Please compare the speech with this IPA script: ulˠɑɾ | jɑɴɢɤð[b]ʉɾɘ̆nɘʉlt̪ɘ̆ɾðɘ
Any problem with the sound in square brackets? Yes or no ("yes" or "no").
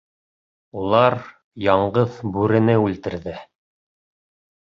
no